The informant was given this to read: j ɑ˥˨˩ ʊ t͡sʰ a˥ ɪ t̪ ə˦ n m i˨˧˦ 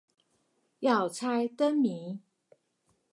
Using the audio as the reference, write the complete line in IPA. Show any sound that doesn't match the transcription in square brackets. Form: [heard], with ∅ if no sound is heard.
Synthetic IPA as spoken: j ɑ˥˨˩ ʊ t͡sʰ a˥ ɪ t̪ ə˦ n m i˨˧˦